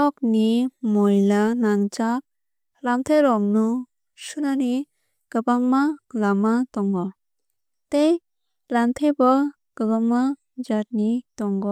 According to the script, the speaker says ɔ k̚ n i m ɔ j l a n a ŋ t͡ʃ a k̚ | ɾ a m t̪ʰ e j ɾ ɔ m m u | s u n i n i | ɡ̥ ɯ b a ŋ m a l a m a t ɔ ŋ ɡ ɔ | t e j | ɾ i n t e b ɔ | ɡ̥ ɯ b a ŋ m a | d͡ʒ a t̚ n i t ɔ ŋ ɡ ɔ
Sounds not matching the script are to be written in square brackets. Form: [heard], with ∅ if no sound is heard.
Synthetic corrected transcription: ɔ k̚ n i m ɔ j l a n a ŋ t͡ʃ a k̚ | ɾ a m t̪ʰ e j ɾ ɔ m [n] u | s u n [a] n i | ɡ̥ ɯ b a ŋ m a l a m a t ɔ ŋ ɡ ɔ | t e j | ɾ [a] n [tʰ] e b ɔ | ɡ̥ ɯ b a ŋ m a | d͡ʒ a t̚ n i t ɔ ŋ ɡ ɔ